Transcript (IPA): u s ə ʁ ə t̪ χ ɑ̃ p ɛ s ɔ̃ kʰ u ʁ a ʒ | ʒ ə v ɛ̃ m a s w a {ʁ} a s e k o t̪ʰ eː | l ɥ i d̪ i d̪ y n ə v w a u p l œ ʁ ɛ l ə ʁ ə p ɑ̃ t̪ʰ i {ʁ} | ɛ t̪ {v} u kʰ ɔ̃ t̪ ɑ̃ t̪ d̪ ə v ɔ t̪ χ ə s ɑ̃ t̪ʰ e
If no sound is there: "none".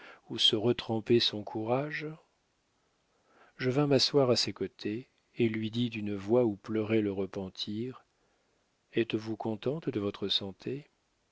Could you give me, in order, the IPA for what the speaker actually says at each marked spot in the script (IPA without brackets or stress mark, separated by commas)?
ʁ, ʁ, v